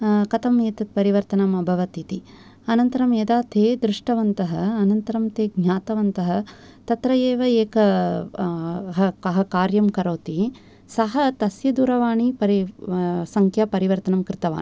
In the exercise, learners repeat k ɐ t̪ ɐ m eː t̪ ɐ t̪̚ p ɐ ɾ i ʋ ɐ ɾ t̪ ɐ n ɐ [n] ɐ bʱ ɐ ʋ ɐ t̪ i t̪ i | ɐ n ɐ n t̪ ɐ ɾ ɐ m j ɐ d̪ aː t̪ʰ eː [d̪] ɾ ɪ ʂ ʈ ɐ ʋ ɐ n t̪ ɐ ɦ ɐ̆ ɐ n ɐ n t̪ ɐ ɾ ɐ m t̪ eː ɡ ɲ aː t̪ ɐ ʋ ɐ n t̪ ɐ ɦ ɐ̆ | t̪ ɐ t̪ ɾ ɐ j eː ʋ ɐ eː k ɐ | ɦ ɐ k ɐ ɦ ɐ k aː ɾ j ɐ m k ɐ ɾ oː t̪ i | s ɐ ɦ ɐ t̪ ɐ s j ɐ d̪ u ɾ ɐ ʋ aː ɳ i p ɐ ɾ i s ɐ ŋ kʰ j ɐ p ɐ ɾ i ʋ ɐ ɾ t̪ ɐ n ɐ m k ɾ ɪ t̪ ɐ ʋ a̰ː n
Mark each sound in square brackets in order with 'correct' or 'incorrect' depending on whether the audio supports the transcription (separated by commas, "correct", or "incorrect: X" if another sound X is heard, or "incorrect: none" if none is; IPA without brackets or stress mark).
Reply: incorrect: m, correct